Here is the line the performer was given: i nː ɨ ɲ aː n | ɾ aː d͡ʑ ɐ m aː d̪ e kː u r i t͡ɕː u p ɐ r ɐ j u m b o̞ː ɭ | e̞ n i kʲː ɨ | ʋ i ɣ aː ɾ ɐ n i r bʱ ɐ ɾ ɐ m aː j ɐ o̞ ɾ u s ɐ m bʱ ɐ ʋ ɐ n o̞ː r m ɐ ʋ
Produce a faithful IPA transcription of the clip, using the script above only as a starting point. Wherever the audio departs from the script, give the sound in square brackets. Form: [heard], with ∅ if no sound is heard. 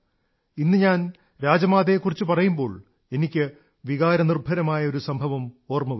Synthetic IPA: i nː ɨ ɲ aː n | ɾ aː d͡ʑ ɐ m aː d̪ e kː u r i t͡ɕː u p ɐ r ɐ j u m b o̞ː ɭ | e̞ n i kʲː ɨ | ʋ i ɣ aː ɾ ɐ n i r bʱ ɐ ɾ ɐ m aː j ɐ o̞ ɾ u s ɐ m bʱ ɐ ʋ ɐ [m] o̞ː r m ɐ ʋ